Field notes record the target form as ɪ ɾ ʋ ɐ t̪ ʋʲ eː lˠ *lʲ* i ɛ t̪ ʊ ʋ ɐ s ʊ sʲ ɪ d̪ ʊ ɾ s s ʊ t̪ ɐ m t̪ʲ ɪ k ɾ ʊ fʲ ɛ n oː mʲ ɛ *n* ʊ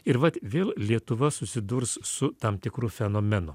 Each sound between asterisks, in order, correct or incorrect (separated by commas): correct, correct